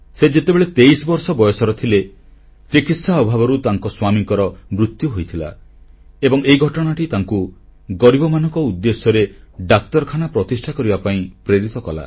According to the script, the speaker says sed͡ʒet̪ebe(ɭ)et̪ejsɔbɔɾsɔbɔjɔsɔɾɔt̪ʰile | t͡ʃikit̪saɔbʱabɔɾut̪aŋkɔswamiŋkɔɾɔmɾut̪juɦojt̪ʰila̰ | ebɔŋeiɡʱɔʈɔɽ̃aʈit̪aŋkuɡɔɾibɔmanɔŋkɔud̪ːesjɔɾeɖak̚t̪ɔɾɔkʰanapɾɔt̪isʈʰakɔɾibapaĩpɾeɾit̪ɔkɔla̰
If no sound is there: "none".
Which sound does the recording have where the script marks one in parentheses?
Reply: ɭ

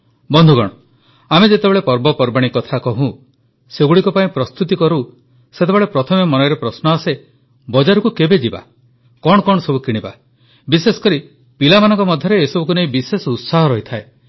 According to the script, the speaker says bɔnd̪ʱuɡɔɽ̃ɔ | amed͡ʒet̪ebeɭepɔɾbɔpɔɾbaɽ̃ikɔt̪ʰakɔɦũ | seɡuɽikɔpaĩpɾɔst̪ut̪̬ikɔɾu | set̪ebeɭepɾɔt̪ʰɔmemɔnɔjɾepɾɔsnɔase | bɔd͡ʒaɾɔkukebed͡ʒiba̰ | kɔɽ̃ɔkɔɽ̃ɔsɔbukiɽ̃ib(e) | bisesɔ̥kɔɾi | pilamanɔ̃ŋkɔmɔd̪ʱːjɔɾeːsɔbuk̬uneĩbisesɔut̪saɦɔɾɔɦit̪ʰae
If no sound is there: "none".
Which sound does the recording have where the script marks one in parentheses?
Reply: a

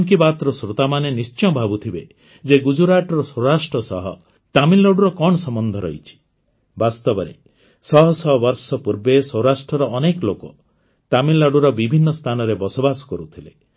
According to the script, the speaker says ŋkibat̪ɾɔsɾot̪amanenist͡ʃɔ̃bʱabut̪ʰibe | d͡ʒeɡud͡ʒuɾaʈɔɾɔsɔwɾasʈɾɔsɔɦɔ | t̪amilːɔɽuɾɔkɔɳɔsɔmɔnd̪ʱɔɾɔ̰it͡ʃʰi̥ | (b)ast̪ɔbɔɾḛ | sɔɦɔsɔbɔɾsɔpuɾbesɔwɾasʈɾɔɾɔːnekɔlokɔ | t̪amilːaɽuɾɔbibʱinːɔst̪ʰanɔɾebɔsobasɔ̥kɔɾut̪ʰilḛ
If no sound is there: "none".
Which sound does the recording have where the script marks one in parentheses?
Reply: b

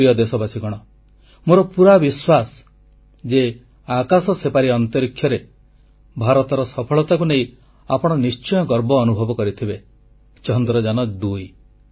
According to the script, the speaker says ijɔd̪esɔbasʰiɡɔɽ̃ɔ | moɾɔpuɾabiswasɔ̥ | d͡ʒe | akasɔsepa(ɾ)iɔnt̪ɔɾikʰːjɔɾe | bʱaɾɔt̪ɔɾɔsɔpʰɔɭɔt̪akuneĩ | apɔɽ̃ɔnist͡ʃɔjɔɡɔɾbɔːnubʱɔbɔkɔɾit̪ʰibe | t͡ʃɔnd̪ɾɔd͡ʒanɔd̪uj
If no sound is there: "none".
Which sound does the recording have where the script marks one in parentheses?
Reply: ɾ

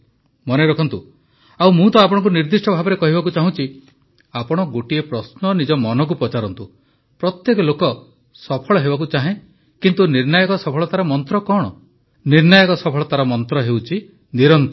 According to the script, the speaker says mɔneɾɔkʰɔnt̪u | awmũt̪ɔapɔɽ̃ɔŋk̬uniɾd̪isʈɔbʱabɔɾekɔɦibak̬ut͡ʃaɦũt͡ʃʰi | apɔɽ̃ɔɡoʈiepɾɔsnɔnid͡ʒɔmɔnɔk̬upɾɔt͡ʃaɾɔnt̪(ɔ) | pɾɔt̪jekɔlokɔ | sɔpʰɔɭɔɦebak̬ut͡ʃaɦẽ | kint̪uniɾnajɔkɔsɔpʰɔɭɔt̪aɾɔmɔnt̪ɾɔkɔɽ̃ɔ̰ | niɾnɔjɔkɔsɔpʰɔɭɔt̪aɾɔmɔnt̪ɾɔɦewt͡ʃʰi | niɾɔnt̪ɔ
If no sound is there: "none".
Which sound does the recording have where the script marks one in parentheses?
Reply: u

